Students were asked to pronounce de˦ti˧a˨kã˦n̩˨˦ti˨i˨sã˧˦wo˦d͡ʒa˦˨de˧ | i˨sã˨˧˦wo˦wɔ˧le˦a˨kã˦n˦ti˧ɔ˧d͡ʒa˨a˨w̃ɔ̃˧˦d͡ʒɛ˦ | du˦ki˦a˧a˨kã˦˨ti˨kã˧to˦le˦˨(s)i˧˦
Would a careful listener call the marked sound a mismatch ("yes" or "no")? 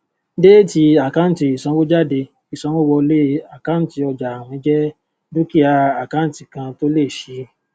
yes